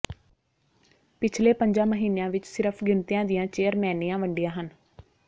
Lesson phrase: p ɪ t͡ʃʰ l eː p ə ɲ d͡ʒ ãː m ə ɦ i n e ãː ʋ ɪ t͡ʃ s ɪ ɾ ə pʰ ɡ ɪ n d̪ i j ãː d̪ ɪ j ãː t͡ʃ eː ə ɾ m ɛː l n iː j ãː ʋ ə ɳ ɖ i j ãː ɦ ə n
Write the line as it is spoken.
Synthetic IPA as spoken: p ɪ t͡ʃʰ l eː p ə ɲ d͡ʒ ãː m ə ɦ iː n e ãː ʋ ɪ t͡ʃ s ɪ ɾ ə pʰ ɡ ɪ n t̪ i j ãː d̪ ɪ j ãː t͡ʃ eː ə ɾ m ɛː n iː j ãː ʋ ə ɳ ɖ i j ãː ɦ ə n